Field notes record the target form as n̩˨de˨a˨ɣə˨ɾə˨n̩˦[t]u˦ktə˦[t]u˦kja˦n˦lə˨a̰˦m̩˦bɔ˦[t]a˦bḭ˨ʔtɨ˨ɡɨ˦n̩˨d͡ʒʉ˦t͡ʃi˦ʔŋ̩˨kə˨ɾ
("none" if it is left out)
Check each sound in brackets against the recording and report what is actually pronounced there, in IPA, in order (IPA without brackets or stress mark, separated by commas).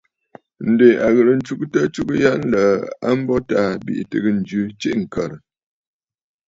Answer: t͡ʃ, t͡ʃ, t